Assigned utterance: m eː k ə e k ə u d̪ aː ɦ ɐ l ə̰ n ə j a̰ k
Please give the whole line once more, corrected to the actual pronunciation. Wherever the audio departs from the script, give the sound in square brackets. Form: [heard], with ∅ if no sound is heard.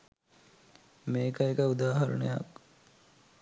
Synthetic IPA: m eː k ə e k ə u d̪ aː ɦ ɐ [ɾ] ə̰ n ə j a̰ k